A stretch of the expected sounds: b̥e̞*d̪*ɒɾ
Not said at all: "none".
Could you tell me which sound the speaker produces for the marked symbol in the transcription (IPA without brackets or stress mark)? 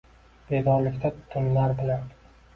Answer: d̪